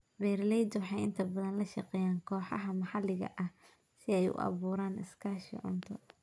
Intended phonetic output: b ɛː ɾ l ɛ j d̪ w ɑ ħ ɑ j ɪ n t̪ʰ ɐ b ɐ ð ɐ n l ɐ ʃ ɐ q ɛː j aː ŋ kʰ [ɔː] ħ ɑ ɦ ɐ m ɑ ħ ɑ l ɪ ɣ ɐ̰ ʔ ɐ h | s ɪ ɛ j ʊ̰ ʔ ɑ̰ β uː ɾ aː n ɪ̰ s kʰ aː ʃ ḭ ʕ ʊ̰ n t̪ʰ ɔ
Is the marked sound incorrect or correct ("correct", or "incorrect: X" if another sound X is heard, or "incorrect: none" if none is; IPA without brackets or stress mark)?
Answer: correct